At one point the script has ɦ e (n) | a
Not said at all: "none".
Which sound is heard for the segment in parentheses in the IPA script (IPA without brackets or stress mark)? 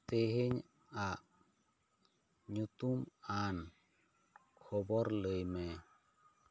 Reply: ɲ